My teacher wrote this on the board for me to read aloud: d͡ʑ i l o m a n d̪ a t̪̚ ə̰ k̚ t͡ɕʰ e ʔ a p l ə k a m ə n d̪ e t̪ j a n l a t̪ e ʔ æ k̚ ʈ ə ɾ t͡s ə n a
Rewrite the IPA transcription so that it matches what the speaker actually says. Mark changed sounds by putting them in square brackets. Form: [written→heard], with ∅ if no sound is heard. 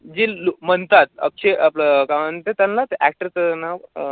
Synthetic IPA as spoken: d͡ʑ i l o m [a→ə] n [d̪→t̪] a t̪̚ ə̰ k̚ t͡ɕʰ e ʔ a p l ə k a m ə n [d̪→t̪] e t̪ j a n l a t̪ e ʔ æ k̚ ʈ ə ɾ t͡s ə n a